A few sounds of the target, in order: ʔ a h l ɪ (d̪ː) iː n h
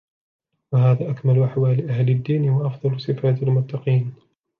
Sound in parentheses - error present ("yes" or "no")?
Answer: no